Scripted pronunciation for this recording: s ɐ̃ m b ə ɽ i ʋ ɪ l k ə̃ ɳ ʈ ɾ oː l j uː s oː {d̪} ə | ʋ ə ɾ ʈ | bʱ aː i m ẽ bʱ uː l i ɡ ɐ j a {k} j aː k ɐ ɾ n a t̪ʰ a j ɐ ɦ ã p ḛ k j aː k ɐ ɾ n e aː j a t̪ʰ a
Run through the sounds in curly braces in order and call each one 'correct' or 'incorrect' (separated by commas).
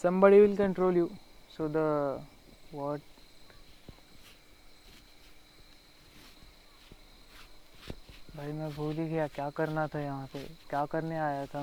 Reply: correct, correct